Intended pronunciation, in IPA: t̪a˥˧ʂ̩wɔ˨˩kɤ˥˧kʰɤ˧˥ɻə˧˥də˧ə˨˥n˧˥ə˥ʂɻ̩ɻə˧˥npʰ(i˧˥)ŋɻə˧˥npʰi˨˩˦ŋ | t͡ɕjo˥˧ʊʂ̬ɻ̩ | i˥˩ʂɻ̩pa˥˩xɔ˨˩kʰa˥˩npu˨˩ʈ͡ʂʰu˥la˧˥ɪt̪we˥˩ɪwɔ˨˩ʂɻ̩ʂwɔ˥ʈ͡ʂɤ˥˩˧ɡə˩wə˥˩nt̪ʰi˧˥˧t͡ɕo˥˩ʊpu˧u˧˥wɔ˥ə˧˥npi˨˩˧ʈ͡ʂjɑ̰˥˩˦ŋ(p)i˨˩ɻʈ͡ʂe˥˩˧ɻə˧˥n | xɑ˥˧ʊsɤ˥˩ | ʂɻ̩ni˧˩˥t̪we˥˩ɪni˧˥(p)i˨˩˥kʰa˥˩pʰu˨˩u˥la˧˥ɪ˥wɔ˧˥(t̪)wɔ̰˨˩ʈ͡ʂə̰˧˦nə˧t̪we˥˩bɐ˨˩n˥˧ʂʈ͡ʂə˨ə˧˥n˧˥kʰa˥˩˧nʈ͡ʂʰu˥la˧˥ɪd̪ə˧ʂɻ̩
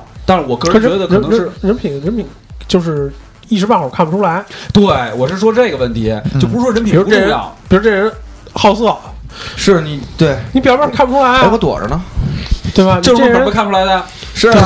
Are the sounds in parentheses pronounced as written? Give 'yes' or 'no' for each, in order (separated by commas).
no, yes, yes, yes